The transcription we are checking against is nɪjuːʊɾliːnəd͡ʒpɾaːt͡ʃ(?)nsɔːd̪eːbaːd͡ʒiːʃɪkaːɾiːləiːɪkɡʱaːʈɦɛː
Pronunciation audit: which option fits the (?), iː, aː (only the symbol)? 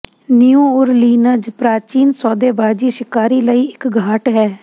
iː